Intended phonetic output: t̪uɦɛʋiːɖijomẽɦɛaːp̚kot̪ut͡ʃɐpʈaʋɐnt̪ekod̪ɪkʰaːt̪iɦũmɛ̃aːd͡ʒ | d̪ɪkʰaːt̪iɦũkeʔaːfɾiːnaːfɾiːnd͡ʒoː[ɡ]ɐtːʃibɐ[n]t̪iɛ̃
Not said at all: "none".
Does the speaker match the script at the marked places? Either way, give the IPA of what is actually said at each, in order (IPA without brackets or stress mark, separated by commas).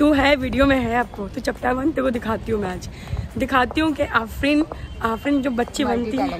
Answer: b, n